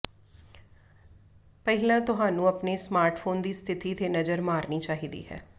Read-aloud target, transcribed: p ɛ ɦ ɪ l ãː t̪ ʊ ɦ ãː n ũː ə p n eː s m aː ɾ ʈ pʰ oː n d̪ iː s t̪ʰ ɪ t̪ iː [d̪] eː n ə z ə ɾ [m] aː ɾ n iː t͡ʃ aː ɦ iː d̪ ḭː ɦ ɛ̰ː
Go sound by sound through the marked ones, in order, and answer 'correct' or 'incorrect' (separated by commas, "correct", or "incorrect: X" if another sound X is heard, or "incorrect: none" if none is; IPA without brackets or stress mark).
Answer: incorrect: t̪, correct